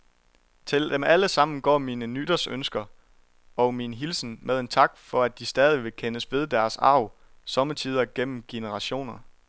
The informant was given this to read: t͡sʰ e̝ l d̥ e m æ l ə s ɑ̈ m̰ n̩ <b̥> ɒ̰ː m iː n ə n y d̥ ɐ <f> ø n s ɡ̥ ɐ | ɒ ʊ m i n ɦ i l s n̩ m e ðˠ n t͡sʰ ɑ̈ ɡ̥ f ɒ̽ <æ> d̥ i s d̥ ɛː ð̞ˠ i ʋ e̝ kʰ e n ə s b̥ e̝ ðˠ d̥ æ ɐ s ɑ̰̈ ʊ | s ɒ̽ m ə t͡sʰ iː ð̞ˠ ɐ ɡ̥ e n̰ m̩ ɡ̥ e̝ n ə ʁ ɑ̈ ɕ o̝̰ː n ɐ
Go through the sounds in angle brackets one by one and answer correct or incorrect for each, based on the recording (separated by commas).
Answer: incorrect, incorrect, correct